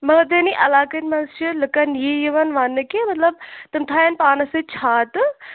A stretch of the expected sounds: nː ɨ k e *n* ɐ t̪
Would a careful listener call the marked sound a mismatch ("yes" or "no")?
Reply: yes